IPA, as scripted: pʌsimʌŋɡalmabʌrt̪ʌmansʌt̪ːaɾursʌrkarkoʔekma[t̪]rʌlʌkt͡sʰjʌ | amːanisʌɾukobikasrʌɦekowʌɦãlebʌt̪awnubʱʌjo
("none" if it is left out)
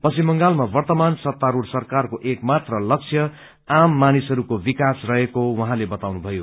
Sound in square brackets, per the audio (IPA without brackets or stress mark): t̪